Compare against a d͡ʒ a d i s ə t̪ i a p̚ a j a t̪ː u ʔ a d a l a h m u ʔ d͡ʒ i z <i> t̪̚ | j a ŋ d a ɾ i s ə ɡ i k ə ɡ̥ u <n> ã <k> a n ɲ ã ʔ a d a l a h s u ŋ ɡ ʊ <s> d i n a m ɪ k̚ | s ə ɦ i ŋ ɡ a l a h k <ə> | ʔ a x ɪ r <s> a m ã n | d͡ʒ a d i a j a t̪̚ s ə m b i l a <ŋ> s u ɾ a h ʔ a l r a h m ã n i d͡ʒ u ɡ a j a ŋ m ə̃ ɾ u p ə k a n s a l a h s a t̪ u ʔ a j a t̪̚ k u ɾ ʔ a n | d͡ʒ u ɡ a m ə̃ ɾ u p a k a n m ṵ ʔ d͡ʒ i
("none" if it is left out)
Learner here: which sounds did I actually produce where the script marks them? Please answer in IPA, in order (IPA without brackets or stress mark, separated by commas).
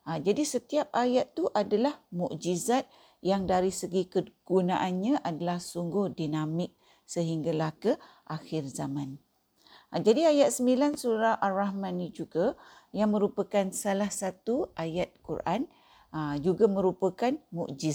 a, n, ʔ, h, ə, z, n